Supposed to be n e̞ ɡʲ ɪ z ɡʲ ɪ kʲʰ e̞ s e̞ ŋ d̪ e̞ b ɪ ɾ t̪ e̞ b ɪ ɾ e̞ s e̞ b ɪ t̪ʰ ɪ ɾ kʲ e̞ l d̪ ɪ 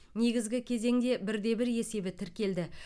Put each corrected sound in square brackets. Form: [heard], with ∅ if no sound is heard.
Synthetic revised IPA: n e̞ ɡʲ ɪ z ɡʲ ɪ kʲʰ e̞ [z] e̞ ŋ d̪ e̞ b ɪ ɾ [d̪] e̞ b ɪ ɾ e̞ s e̞ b ɪ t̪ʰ ɪ ɾ kʲ e̞ l d̪ ɪ